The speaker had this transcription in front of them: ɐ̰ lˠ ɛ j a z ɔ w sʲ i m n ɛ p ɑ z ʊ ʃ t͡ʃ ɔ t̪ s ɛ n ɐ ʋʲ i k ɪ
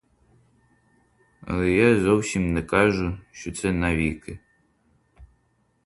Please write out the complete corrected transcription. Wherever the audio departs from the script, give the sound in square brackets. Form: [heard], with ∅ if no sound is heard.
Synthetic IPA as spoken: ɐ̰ lˠ ɛ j a z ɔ w sʲ i m n ɛ [k] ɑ [ʒ] ʊ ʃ t͡ʃ ɔ t̪ s ɛ n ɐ ʋʲ i k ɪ